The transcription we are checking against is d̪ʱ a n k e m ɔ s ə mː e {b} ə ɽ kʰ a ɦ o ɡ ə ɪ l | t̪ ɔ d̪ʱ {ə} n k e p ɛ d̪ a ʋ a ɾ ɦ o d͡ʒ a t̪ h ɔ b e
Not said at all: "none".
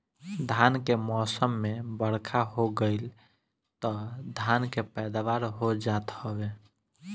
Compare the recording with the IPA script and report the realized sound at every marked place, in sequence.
b, a

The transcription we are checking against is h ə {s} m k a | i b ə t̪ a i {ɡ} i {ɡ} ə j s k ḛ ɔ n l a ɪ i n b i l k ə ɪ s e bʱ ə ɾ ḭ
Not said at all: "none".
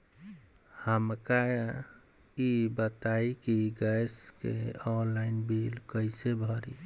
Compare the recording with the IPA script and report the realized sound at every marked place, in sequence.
none, k, ɡ

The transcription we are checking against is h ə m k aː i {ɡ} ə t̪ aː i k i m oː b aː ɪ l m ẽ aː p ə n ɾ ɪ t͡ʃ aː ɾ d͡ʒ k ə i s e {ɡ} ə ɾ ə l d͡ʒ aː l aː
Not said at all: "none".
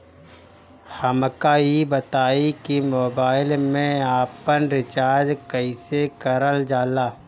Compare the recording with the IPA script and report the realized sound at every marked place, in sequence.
b, k

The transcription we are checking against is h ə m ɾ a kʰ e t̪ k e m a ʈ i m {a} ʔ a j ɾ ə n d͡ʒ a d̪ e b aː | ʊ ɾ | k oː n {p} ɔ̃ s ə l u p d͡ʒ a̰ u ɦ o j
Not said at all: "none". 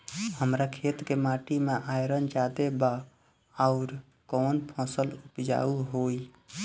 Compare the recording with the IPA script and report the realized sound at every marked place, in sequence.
e, pʰ

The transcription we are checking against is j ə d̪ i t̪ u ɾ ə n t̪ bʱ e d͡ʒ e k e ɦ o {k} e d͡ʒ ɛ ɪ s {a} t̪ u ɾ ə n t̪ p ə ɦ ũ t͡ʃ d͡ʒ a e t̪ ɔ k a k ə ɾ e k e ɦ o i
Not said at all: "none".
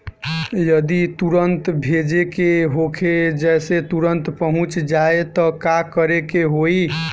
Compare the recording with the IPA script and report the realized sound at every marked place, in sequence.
kʰ, e

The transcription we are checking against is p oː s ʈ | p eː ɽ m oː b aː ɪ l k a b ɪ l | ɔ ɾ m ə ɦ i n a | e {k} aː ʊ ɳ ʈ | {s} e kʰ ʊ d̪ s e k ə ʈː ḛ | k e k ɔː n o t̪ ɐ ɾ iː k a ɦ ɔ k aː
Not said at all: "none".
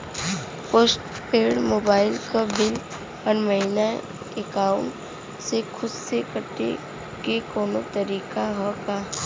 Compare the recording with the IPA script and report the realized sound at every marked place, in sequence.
k, s

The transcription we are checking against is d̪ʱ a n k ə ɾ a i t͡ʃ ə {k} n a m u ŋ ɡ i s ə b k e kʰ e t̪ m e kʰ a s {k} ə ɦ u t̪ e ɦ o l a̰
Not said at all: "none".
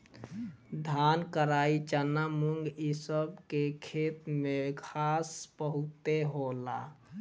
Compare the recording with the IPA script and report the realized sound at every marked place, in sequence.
none, p

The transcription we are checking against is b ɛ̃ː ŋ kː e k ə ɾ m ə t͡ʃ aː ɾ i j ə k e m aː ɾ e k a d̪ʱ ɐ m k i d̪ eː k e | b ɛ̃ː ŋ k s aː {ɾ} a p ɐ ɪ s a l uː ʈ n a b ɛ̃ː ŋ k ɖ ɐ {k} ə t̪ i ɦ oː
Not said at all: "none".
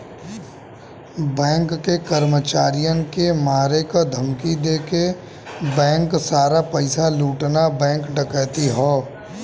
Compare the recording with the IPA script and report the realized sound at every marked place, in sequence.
ɾ, k

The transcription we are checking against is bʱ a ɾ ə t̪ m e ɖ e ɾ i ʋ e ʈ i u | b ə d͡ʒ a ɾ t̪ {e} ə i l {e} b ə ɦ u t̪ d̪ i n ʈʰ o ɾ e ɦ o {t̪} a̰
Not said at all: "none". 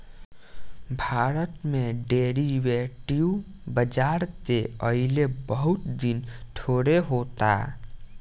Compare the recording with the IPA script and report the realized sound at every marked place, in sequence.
e, e, t̪

